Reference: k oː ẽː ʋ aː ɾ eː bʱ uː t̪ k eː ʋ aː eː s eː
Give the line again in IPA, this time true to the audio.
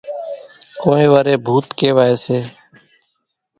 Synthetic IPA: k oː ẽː ʋ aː ɾ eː bʱ uː t̪ k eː ʋ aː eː s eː